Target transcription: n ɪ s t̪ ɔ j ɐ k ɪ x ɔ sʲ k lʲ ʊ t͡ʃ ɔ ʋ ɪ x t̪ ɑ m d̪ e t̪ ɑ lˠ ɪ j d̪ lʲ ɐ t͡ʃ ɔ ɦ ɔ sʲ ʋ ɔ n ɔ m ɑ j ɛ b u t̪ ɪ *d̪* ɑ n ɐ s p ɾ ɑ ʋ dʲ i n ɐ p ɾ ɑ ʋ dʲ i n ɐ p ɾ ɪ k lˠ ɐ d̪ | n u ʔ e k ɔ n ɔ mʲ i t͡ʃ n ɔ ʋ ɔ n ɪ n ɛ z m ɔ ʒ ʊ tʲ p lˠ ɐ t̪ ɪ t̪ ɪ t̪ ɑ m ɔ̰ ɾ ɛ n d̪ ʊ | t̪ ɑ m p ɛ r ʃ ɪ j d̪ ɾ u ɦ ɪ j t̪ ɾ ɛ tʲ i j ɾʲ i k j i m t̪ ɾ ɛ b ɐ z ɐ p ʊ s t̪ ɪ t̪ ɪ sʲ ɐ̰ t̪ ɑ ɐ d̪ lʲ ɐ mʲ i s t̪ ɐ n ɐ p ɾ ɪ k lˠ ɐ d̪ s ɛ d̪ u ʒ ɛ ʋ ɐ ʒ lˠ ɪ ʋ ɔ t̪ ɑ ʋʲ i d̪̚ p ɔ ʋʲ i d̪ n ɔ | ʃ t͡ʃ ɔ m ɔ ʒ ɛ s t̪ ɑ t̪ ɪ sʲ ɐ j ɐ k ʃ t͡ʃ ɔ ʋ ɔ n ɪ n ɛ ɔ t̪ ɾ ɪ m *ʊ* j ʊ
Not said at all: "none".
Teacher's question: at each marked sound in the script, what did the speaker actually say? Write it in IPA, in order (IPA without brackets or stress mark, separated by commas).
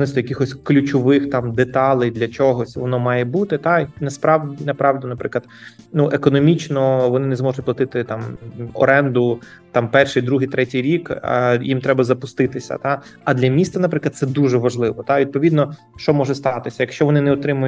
t̪, ʊ